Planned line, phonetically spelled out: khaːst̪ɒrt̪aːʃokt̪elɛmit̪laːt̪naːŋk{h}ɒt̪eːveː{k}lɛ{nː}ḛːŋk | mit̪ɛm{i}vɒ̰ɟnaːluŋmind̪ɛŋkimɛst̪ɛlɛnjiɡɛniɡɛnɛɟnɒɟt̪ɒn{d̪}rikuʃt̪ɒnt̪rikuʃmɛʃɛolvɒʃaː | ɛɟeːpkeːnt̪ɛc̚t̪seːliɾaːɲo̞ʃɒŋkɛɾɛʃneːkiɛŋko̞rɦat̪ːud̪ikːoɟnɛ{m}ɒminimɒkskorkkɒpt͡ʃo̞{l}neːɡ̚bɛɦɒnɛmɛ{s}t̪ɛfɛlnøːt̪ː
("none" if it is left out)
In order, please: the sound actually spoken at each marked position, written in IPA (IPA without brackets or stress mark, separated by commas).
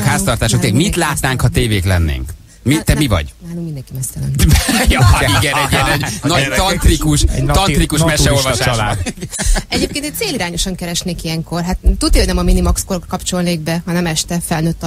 h, k, nː, i, t̪, m, l, ʃ